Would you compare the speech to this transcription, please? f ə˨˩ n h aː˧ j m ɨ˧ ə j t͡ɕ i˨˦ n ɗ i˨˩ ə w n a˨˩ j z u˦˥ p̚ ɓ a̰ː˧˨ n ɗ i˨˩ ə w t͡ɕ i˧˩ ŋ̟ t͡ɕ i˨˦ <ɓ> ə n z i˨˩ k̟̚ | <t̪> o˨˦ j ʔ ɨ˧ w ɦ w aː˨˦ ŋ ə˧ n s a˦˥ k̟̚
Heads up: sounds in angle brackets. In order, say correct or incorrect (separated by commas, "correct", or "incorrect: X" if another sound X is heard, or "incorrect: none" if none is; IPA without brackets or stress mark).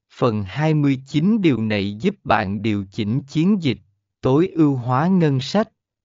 incorrect: none, correct